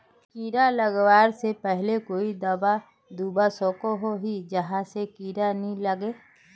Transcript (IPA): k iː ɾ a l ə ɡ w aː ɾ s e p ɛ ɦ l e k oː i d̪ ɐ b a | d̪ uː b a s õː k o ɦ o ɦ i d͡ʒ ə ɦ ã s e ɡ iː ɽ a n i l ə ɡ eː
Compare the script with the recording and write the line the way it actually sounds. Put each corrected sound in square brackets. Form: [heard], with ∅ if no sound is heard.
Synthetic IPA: k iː ɾ a l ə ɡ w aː ɾ s e p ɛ ɦ l e k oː i d̪ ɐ b a | d̪ uː b a s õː k o ɦ o ɦ i d͡ʒ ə ɦ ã s e [k] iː [ɾ] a n i l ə ɡ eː

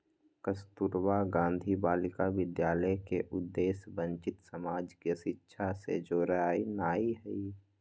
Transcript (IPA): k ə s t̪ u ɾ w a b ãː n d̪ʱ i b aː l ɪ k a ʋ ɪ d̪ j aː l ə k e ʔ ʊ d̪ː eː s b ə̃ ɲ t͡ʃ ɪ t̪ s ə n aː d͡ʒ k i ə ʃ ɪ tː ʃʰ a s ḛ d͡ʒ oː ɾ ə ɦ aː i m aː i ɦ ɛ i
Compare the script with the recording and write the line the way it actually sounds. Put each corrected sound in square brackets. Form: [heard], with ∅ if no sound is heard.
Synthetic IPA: k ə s t̪ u ɾ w a [ɡ] ãː n d̪ʱ i b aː l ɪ k a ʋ ɪ d̪ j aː l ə k e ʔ ʊ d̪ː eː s b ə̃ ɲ t͡ʃ ɪ t̪ s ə [m] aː d͡ʒ k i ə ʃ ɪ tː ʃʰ a s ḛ d͡ʒ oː ɾ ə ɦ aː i [n] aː i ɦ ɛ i

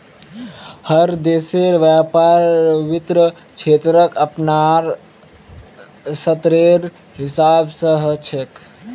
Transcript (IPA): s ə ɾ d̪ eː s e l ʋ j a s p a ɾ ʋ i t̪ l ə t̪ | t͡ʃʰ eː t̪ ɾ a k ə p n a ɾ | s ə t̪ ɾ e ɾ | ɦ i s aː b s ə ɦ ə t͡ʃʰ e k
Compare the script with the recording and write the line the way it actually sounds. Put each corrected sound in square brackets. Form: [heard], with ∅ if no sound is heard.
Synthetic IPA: [h] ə ɾ d̪ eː s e [ɾ] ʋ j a [∅] p a ɾ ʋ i t̪ [ɾ] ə [∅] | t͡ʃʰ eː t̪ ɾ [ə] k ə p n a ɾ | s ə t̪ ɾ e ɾ | ɦ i s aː b s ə ɦ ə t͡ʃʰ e k

